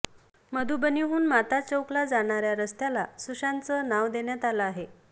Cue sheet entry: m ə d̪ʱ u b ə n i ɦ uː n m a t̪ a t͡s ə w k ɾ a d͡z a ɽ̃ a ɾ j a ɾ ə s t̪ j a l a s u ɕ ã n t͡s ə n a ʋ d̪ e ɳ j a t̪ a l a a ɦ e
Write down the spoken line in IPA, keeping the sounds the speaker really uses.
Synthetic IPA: m ə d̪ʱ u b ə n i ɦ uː n m a t̪ a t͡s ə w k l a d͡z a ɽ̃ a ɾ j a ɾ ə s t̪ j a l a s u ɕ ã n t͡s ə n a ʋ d̪ e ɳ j a t̪ a l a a ɦ e